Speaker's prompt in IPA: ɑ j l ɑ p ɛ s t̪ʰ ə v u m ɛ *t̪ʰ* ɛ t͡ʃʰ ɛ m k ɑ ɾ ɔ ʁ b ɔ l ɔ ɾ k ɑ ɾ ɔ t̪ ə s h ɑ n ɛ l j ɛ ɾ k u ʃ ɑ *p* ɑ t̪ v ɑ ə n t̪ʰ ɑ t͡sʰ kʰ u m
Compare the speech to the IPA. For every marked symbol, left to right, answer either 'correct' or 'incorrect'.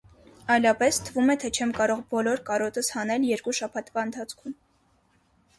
correct, incorrect

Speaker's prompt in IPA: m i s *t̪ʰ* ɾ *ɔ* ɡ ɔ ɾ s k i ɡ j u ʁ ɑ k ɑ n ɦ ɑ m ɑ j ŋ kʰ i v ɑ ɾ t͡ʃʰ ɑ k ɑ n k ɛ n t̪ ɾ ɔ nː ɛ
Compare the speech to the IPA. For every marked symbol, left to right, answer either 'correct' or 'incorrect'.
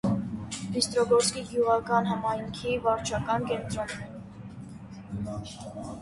incorrect, correct

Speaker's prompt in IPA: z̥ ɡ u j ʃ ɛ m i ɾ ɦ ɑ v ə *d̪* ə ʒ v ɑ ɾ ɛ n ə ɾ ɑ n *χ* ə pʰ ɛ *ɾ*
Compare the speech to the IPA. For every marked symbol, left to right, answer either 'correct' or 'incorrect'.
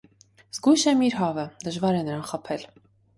correct, correct, incorrect

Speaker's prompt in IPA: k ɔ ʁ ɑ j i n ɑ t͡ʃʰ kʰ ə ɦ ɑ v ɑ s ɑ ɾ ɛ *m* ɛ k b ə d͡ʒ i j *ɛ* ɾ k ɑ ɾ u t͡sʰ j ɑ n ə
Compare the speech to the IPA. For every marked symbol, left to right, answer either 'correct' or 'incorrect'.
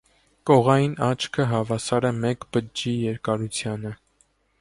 correct, correct

